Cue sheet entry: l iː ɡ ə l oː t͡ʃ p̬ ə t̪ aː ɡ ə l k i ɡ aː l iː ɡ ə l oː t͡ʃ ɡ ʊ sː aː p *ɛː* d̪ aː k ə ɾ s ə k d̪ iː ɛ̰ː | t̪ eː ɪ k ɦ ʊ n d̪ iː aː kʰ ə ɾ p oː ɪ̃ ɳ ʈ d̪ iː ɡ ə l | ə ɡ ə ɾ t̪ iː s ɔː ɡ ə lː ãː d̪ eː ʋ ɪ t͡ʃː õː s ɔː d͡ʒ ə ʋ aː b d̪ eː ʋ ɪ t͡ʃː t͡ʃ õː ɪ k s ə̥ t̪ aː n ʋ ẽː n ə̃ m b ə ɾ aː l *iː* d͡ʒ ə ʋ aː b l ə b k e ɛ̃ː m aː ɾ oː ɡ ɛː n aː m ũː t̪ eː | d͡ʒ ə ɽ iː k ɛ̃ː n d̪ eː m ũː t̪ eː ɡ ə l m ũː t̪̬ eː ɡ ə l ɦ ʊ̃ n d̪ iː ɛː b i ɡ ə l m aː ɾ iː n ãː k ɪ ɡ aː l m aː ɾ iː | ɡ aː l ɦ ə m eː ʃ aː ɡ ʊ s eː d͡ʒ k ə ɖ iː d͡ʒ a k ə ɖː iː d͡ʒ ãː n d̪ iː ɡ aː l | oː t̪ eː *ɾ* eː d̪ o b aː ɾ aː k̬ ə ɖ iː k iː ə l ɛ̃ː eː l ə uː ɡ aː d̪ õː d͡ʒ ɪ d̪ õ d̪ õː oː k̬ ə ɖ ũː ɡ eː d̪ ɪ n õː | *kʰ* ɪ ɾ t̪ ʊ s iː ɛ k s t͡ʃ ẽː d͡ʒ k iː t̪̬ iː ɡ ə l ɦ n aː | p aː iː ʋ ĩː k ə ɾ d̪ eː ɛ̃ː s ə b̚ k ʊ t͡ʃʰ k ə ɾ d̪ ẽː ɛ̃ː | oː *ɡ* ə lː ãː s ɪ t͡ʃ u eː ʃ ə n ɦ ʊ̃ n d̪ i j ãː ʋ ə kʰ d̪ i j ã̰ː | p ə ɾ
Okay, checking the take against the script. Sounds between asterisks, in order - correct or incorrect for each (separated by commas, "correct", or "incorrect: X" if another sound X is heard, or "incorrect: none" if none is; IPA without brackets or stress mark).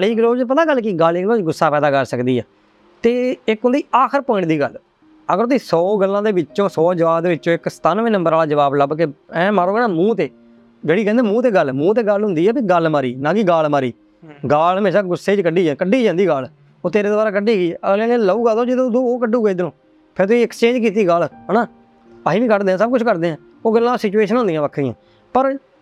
correct, incorrect: aː, correct, incorrect: pʰ, correct